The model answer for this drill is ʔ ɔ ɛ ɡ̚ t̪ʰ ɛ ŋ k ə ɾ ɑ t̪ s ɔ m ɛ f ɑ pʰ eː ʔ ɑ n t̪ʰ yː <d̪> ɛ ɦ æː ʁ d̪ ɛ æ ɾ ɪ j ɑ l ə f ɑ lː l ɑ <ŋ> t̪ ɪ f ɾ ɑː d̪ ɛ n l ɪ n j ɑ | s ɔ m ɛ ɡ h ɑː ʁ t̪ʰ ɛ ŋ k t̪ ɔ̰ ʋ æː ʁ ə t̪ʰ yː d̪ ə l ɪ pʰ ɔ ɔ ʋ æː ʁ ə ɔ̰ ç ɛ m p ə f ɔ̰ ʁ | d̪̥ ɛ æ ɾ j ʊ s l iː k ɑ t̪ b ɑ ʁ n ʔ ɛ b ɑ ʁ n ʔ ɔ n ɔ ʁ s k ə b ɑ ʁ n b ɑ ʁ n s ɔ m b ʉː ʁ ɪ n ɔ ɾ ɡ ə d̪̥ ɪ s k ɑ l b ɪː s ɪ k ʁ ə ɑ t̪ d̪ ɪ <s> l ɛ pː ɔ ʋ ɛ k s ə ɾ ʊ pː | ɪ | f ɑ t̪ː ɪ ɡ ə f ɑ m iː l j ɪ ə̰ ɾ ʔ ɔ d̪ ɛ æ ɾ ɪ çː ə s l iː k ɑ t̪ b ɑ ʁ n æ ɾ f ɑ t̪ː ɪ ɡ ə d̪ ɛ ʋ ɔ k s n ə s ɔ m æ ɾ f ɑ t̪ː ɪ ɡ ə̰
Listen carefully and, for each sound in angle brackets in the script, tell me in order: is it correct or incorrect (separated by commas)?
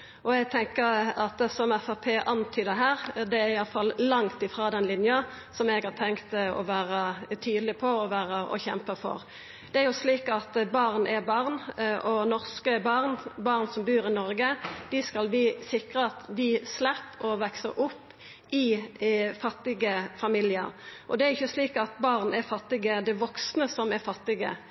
correct, correct, correct